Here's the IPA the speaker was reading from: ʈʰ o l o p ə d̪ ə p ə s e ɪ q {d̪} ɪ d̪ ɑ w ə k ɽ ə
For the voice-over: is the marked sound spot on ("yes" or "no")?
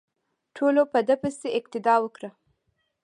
no